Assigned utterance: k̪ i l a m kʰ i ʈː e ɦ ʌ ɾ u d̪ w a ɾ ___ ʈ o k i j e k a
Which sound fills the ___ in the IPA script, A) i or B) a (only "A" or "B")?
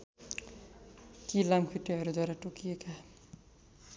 B